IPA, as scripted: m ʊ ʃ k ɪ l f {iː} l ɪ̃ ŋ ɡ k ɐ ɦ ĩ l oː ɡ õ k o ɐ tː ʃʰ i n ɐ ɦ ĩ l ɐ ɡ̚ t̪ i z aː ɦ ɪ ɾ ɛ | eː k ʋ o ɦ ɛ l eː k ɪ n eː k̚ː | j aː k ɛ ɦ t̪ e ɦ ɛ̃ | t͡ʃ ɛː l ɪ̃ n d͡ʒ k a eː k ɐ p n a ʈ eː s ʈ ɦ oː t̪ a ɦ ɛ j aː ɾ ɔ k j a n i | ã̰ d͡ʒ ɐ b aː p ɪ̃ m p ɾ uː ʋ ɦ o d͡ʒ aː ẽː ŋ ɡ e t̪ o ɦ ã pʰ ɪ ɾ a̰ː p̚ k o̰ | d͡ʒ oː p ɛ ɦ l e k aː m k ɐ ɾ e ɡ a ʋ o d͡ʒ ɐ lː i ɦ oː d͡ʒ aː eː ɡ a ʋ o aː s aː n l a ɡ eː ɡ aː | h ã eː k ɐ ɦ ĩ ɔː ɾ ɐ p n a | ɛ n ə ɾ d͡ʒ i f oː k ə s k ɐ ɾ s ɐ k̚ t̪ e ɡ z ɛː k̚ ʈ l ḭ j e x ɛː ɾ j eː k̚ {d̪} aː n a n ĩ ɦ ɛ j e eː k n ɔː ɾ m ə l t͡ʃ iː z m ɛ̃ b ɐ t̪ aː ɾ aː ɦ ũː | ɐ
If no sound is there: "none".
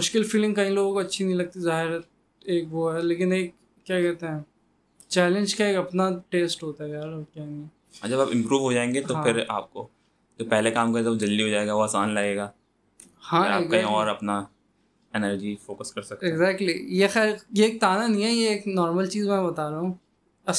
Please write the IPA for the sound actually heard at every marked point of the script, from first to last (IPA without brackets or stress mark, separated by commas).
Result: iː, t̪